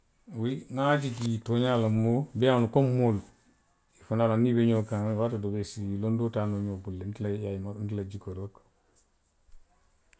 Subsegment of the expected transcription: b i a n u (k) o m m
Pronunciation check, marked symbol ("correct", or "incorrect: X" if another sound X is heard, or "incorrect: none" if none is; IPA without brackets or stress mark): correct